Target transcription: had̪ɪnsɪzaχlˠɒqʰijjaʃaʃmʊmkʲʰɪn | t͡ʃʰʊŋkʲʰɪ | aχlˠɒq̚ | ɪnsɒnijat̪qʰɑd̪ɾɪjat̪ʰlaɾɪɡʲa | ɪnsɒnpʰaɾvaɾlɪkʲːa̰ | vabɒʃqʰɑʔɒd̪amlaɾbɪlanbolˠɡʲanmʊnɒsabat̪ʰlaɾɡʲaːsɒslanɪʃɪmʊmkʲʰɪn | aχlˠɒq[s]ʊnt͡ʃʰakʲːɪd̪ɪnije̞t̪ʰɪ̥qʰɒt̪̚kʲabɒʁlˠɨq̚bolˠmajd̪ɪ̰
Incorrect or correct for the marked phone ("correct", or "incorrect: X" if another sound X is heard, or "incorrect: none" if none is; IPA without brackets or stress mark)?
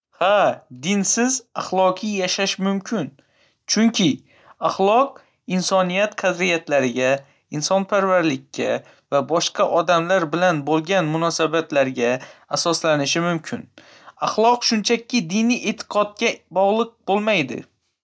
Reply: incorrect: ʃ